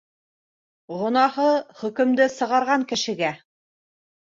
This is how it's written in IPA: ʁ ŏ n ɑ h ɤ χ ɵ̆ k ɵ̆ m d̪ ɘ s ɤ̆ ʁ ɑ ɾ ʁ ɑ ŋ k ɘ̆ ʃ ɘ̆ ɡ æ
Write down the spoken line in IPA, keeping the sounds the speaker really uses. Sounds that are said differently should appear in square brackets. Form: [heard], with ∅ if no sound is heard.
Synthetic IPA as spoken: ʁ ŏ n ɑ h ɤ χ ɵ̆ k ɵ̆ m d̪ ɘ s ɤ̆ ʁ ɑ ɾ ʁ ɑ ŋ k ɘ̆ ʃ ɘ̆ ɡ æ